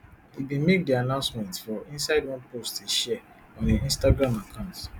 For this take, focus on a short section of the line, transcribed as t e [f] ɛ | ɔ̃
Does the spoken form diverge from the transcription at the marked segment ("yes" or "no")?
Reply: yes